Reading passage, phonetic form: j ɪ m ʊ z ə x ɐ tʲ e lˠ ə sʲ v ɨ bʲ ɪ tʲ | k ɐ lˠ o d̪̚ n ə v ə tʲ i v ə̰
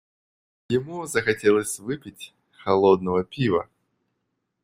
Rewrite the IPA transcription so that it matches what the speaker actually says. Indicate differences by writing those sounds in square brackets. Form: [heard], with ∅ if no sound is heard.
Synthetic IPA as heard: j ɪ m [u] z ə x ɐ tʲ e lˠ ə sʲ v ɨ [pʲ] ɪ tʲ | [x] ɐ lˠ o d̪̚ n ə v ə [pʲ] i v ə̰